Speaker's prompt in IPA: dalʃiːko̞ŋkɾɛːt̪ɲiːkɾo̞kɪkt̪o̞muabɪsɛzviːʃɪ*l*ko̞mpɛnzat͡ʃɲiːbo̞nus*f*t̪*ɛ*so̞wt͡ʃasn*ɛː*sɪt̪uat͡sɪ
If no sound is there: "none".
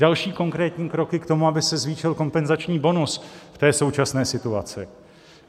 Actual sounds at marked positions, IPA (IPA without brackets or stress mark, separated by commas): l, f, ɛː, ɛː